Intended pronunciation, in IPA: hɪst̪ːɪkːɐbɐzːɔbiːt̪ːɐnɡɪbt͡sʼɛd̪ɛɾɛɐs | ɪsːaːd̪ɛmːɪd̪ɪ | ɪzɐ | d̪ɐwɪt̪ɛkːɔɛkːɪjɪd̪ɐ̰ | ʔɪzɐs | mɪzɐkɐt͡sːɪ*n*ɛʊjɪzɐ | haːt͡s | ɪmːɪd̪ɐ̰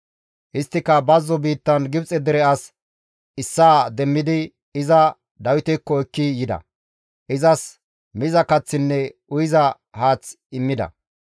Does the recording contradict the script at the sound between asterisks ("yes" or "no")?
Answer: yes